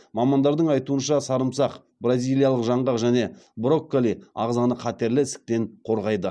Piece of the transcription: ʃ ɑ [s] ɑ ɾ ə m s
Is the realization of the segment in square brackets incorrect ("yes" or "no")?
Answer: no